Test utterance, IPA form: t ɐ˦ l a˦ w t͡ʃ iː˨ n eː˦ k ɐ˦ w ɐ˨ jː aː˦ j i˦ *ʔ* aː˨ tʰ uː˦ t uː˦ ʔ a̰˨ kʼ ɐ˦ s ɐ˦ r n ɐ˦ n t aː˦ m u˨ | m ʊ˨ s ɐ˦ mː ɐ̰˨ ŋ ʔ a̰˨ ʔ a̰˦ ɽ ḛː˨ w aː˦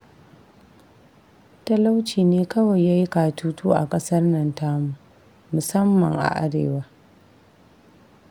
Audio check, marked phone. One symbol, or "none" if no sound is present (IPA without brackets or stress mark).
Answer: k